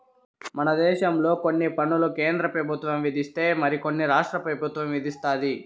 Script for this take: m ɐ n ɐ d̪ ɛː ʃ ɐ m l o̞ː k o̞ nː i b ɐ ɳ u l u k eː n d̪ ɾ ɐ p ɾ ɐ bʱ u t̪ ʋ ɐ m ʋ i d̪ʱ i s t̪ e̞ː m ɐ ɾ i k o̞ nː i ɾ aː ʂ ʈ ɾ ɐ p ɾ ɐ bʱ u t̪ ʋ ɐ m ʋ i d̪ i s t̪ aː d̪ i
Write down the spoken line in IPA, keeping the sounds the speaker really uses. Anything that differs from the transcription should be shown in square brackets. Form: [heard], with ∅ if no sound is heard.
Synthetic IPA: m ɐ n ɐ d̪ ɛː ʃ ɐ m l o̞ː k o̞ nː i [p] ɐ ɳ u l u k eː n d̪ ɾ ɐ p ɾ ɐ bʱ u t̪ ʋ ɐ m ʋ i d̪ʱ i s t̪ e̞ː m ɐ ɾ i k o̞ nː i ɾ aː ʂ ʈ ɾ ɐ p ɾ ɐ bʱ u t̪ ʋ ɐ m ʋ i d̪ i s t̪ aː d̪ i